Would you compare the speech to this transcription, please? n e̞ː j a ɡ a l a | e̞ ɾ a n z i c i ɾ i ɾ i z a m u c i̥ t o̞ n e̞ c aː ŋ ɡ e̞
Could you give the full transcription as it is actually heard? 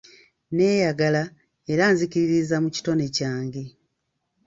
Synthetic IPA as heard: n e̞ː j a ɡ a l a | e̞ ɾ a n z i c i ɾ i ɾ i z a m u c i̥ t o̞ n e̞ c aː ŋ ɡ e̞